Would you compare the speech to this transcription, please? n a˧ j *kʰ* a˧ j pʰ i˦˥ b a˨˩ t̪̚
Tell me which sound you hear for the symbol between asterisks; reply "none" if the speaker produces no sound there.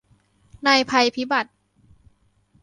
pʰ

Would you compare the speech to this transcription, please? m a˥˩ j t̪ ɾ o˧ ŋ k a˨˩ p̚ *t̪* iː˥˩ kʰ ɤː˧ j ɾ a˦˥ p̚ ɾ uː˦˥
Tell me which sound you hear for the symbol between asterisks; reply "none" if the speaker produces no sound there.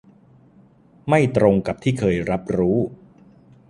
t̪ʰ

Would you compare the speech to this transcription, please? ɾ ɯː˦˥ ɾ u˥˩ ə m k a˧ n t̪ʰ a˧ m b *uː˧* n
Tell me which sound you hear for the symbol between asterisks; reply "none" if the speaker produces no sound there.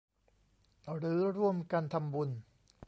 u˧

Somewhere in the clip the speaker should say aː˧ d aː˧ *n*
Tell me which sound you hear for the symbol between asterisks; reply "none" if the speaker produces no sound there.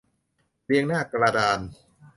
n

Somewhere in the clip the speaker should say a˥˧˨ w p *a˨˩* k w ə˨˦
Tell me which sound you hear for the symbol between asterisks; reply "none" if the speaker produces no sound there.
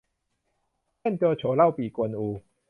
i˨˩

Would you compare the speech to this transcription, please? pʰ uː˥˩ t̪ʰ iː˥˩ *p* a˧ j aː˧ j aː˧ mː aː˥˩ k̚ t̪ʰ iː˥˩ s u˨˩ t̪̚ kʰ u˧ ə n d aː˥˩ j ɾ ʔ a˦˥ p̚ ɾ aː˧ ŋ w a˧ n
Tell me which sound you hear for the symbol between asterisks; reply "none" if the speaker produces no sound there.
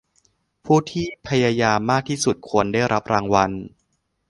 pʰ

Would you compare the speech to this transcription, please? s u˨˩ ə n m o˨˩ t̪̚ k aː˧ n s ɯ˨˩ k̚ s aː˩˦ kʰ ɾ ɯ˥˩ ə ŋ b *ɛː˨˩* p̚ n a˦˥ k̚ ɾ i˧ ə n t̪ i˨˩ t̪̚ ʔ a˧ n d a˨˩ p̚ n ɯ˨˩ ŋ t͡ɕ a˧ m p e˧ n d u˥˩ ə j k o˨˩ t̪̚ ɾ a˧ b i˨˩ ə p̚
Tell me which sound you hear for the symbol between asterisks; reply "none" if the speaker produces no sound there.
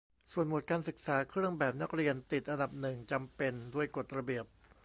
ɛː˨˩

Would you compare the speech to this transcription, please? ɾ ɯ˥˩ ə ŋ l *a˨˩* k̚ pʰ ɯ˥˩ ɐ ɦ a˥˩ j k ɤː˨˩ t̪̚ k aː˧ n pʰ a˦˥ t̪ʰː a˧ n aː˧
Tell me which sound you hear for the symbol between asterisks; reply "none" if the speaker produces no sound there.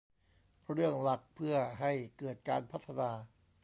a˨˩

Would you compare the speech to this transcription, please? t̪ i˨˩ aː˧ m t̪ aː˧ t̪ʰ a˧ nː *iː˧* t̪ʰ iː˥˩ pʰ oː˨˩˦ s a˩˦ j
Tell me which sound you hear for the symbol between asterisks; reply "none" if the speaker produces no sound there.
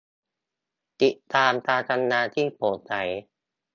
aː˧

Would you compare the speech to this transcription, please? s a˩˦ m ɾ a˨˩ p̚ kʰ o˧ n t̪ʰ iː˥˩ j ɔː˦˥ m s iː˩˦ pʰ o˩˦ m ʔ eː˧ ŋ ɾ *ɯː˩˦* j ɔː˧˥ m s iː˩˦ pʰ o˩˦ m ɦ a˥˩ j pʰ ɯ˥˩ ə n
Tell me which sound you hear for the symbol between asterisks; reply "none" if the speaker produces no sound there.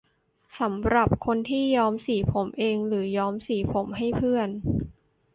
ɯː˩˦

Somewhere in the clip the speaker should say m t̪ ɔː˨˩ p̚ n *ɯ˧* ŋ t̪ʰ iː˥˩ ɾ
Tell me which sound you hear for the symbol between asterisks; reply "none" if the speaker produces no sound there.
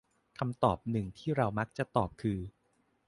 ɯ˨˩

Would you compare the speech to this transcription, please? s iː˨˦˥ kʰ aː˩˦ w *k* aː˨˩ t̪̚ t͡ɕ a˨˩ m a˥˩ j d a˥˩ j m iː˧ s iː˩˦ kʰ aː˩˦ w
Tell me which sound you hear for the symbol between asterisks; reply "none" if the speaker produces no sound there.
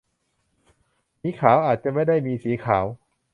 ʔ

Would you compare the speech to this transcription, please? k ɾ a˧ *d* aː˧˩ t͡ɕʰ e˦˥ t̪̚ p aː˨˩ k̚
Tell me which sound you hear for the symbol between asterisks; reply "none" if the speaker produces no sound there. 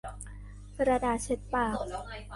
d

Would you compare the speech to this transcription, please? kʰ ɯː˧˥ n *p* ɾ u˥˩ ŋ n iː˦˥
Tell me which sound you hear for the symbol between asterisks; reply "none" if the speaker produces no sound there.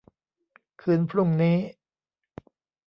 pʰ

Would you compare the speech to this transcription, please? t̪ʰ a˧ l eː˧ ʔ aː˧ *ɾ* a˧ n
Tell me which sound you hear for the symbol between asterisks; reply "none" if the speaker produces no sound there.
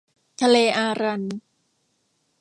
ɾ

